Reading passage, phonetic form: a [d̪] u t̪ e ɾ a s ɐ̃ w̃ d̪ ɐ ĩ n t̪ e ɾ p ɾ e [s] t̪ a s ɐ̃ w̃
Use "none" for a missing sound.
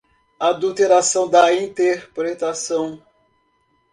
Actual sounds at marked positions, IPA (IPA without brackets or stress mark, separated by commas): d̪, none